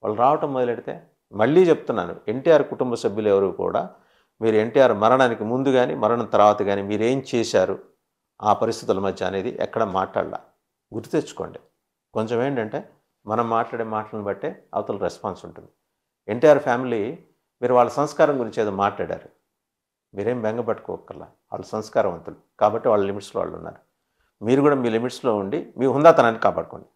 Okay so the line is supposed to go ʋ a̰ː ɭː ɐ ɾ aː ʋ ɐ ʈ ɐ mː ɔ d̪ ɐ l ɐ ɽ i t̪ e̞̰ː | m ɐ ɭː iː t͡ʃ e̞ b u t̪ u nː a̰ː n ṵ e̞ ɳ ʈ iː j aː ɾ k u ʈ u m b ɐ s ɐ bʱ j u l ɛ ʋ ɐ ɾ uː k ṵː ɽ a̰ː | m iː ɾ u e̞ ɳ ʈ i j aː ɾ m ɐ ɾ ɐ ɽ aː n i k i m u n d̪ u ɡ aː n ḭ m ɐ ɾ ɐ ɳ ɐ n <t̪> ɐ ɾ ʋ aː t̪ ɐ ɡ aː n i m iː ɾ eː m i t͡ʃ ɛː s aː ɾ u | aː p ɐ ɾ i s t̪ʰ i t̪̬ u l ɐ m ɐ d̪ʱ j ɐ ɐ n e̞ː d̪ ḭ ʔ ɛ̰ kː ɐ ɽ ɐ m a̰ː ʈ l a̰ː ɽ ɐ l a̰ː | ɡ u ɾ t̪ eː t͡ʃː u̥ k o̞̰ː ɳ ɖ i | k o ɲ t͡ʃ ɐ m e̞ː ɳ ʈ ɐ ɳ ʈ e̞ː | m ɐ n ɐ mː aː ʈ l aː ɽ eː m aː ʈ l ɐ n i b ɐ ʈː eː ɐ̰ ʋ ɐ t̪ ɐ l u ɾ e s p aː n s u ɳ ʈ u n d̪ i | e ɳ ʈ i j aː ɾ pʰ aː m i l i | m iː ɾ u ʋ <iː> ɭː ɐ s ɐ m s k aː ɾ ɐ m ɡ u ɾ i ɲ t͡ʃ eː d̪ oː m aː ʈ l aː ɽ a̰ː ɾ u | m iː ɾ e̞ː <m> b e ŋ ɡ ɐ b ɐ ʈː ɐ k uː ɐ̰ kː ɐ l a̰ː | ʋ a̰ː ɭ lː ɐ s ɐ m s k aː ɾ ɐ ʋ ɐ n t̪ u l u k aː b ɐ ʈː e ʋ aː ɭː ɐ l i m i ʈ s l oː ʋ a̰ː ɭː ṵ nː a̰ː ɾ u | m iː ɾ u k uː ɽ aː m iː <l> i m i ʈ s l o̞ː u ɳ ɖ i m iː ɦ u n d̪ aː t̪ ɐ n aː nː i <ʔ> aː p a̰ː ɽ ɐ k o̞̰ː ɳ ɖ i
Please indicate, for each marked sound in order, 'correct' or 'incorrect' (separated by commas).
correct, incorrect, correct, correct, incorrect